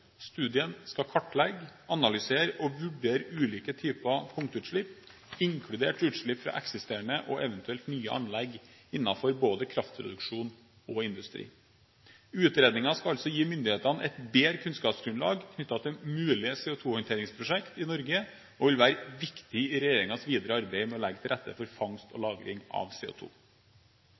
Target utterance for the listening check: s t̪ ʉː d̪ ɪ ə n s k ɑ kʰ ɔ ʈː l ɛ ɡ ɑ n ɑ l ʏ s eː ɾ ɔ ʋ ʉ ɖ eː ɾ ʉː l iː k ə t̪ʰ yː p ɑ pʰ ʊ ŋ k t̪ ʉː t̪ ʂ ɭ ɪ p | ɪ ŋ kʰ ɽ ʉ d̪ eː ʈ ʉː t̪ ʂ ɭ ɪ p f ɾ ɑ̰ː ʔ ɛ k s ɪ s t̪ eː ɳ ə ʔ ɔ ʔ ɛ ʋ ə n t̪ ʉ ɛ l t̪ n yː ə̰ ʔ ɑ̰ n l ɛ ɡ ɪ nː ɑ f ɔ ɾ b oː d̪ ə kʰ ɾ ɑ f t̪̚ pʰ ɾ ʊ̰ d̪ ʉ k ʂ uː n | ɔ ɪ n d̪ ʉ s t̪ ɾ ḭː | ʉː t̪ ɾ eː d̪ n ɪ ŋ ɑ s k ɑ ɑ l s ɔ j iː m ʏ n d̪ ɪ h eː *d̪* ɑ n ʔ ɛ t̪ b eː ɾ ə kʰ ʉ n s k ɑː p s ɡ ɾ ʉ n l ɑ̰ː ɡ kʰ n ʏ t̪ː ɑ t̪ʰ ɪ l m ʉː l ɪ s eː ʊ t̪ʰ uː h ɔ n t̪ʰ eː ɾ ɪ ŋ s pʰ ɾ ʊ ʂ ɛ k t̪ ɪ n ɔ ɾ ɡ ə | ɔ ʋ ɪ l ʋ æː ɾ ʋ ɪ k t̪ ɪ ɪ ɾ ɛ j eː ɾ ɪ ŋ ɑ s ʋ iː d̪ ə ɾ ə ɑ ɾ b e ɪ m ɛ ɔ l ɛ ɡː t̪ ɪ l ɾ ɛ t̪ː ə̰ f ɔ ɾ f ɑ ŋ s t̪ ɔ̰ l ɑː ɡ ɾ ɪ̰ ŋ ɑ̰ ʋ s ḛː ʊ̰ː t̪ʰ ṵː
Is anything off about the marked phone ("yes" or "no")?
yes